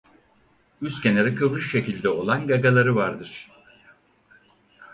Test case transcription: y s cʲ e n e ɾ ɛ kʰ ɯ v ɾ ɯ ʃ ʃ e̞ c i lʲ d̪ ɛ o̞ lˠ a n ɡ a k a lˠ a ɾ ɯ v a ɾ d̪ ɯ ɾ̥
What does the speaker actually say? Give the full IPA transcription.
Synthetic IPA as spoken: y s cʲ e n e ɾ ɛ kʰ ɯ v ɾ ɯ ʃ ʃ e̞ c i lʲ d̪ ɛ o̞ lˠ a n ɡ a ɡ a lˠ a ɾ ɯ v a ɾ d̪ ɯ ɾ̥